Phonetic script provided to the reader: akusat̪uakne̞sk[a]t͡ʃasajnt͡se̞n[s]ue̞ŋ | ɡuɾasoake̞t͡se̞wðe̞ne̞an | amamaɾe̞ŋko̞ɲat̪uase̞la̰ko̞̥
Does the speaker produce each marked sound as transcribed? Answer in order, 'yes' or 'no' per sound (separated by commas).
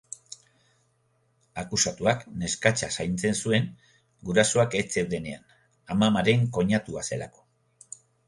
yes, yes